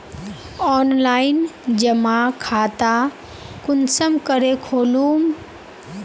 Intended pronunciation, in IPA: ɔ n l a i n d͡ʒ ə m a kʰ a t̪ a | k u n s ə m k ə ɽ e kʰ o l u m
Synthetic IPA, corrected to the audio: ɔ n l a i n d͡ʒ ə m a kʰ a t̪ a | k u n s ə m k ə ɾ e kʰ o l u m